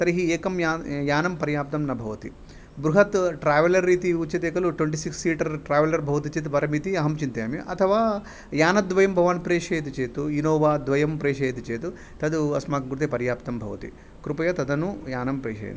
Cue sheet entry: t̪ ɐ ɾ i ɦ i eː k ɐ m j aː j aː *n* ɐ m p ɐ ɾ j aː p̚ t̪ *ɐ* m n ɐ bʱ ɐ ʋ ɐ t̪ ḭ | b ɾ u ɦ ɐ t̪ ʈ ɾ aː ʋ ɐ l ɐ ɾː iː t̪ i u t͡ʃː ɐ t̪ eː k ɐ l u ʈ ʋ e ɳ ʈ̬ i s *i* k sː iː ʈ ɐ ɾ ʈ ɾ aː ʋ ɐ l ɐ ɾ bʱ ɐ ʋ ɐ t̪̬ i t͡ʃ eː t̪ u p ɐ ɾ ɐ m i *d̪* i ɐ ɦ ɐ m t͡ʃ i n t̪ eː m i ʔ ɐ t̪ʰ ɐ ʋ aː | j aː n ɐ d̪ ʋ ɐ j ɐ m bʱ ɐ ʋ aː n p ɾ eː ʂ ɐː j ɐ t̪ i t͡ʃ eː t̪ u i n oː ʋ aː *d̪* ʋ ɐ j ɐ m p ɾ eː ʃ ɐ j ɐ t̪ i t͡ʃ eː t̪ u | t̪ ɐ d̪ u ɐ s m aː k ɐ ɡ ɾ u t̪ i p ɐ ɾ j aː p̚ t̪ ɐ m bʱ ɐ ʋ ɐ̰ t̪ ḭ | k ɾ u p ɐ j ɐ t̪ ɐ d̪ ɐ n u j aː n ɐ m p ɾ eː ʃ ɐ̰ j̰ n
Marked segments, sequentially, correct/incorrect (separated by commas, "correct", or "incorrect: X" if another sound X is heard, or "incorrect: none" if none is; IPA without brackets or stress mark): correct, correct, correct, incorrect: t̪, correct